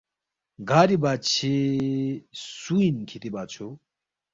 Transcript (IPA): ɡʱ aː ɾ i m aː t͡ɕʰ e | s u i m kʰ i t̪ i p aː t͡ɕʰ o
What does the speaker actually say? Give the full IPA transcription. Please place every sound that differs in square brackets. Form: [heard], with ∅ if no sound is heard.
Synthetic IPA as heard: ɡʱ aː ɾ i [b] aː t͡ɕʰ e | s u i [n] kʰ i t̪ i [b] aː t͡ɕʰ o